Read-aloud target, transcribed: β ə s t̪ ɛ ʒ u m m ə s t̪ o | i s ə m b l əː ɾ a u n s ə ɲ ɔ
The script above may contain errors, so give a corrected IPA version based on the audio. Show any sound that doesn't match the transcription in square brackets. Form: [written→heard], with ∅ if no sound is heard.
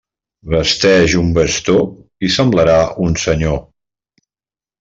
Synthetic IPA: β ə s t̪ ɛ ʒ u m [m→b] ə s t̪ o | i s ə m b l [əː→ə] ɾ a u n s ə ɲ [ɔ→o]